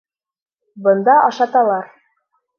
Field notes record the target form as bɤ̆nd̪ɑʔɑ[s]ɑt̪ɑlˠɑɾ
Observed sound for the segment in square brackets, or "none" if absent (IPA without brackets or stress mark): ʃ